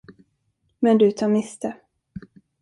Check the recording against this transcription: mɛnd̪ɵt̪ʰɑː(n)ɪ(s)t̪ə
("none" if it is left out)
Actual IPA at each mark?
m, s

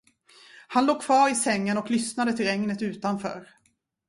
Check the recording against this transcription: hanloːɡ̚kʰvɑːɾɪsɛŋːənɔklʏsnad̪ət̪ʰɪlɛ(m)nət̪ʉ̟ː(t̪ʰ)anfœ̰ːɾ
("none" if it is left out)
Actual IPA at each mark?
ŋ, t̪

